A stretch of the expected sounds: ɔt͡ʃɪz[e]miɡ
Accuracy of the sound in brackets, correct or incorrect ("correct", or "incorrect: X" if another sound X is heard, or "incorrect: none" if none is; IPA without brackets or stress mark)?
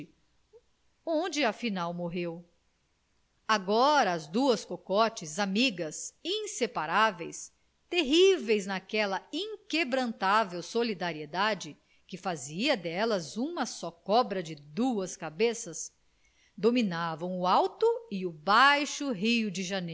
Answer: incorrect: a